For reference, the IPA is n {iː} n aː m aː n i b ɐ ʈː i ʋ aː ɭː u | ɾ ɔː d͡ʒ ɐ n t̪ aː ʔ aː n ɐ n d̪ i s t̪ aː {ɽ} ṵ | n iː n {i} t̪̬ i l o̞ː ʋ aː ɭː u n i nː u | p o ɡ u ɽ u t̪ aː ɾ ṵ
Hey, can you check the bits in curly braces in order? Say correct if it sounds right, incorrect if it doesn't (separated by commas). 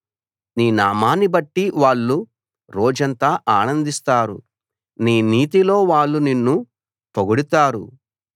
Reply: correct, incorrect, incorrect